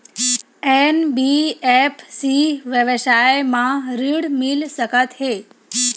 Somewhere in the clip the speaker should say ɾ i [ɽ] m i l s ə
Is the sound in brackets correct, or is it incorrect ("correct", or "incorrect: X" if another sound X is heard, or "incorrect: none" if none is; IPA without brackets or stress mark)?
correct